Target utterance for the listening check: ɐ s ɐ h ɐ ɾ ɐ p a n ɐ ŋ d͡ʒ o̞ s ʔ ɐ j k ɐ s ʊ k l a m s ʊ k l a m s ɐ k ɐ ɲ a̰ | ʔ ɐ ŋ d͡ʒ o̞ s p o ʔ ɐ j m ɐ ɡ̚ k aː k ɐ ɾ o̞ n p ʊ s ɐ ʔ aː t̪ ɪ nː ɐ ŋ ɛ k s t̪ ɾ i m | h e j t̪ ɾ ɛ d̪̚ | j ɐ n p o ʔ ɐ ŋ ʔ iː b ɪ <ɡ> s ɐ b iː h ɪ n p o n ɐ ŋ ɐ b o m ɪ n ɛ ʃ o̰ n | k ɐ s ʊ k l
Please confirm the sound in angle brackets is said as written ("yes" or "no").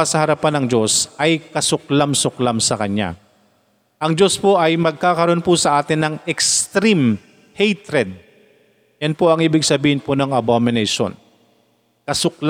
yes